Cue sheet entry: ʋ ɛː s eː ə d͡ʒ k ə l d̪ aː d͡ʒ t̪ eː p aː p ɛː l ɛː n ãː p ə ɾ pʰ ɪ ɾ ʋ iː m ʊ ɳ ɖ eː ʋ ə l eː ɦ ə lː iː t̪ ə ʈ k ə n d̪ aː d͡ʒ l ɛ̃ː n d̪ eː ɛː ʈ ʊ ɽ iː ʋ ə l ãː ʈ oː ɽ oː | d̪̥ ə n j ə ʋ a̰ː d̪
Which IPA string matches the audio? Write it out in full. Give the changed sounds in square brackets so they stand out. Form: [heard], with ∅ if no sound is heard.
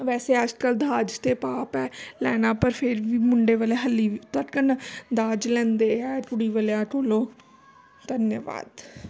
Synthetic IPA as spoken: ʋ ɛː s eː ə d͡ʒ k ə l d̪ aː d͡ʒ t̪ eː p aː p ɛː l ɛː n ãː p ə ɾ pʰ ɪ ɾ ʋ iː m ʊ ɳ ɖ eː ʋ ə l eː ɦ ə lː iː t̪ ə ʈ k ə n d̪ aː d͡ʒ l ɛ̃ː n d̪ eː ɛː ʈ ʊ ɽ iː ʋ ə l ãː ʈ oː [l] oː | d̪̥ ə n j ə ʋ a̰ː d̪